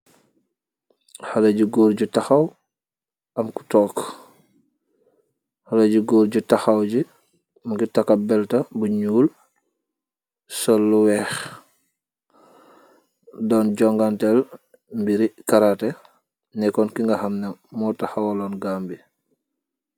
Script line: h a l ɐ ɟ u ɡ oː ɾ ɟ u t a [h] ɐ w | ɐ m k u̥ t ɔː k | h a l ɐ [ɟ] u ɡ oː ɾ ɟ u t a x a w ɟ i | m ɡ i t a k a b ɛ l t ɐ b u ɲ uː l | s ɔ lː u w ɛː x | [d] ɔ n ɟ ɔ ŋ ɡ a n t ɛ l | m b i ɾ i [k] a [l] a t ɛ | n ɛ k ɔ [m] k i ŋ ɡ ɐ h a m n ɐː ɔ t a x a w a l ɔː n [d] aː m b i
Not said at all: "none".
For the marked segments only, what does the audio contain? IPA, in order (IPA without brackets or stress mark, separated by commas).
x, ɟ, d, k, ɾ, n, ɡ